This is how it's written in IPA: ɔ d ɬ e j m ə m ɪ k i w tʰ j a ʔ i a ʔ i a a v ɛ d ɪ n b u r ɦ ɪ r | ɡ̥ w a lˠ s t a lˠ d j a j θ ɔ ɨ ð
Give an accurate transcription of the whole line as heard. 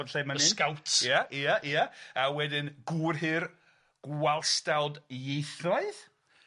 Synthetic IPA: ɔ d ɬ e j m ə n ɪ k a w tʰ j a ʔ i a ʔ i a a w ɛ d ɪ n ɡ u r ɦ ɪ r | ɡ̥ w a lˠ s t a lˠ d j e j θ ɔ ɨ ð